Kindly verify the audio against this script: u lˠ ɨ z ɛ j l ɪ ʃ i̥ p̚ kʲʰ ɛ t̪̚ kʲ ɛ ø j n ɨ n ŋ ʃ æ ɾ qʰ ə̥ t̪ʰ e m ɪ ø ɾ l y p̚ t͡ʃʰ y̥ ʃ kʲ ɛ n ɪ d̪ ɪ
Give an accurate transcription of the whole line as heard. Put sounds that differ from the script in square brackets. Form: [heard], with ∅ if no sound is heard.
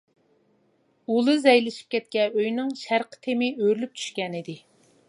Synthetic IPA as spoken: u lˠ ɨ z ɛ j l ɪ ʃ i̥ p̚ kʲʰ ɛ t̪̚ kʲ ɛ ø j n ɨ [∅] ŋ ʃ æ ɾ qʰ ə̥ t̪ʰ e m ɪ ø ɾ l y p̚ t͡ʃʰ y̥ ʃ kʲ ɛ n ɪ d̪ ɪ